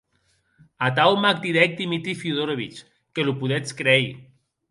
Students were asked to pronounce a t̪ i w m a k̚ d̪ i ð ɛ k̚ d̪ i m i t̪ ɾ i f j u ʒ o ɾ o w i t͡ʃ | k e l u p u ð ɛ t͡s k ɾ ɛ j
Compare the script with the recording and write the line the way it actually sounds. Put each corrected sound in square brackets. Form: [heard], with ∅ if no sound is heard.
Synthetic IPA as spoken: a t̪ [a] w m a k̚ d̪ i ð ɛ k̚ d̪ i m i t̪ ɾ i f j u [ð] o ɾ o [β] i t͡ʃ | k e l u p u ð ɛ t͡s k ɾ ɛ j